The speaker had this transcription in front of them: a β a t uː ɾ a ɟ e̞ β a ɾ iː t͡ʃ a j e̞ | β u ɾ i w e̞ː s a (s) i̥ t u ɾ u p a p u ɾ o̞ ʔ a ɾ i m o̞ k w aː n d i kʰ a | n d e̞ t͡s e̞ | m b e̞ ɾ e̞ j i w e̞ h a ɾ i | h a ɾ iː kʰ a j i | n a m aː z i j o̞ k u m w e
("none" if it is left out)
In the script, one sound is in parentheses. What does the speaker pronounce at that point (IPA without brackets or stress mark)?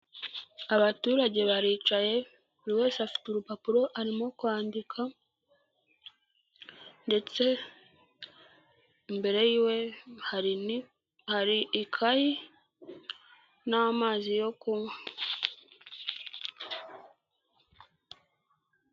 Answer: f